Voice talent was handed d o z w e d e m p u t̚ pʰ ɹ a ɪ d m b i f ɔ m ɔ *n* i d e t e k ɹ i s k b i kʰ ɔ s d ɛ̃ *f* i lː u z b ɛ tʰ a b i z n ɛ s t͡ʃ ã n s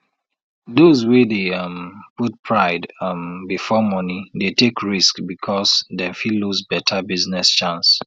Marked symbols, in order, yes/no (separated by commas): yes, yes